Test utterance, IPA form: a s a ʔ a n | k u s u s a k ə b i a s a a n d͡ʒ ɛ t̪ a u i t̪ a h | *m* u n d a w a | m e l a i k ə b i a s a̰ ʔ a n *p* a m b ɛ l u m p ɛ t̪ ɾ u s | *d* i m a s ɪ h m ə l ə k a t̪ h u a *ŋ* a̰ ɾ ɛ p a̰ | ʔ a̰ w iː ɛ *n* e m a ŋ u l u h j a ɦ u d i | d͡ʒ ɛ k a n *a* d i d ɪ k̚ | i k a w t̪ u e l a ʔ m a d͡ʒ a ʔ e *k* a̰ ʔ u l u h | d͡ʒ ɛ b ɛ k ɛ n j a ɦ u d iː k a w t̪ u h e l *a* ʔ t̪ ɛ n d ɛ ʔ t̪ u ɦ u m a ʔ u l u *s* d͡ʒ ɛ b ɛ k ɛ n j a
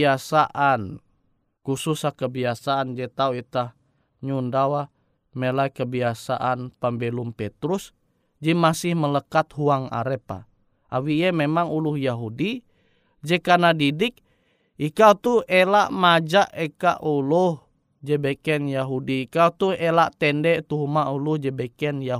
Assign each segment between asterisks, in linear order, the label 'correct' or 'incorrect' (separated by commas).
incorrect, correct, incorrect, correct, incorrect, correct, correct, correct, incorrect